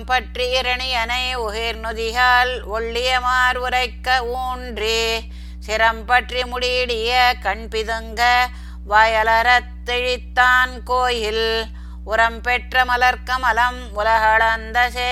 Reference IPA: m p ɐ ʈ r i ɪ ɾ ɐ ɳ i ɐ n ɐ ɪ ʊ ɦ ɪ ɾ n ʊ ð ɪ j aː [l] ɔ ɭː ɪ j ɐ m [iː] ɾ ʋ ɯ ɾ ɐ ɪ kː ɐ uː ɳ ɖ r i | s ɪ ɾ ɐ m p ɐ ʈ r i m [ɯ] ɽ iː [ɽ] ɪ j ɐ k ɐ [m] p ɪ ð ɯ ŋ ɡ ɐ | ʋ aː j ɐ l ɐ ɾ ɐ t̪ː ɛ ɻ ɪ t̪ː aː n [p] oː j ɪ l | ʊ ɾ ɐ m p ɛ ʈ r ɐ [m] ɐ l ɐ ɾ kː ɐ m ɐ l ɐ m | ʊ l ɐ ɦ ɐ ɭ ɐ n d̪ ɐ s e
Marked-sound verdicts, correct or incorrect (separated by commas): correct, incorrect, incorrect, correct, incorrect, incorrect, correct